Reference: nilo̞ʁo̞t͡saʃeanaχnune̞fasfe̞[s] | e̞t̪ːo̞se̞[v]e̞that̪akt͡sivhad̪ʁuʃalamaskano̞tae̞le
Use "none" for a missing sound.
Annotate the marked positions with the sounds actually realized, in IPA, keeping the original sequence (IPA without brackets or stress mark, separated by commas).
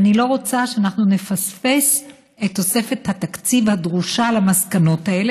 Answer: s, f